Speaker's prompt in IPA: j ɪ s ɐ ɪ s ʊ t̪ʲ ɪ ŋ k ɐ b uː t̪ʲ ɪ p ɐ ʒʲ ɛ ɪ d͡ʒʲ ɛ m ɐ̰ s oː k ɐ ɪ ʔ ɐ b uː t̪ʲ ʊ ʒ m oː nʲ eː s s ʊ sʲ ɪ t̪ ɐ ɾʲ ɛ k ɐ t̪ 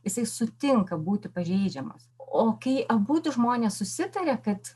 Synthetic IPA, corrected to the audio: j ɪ s ɐ ɪ s ʊ t̪ʲ ɪ ŋ k ɐ b uː t̪ʲ ɪ p ɐ ʒʲ ɛ ɪ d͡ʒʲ ɛ m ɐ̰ s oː k ɐ ɪ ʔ ɐ b uː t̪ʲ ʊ ʒ m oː nʲ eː s s ʊ sʲ ɪ t̪ ɐ ɾʲ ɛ k ɐ t̪